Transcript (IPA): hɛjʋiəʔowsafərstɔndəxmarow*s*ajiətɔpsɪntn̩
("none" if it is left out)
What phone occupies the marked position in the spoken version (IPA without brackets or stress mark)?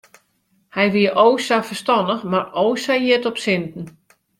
s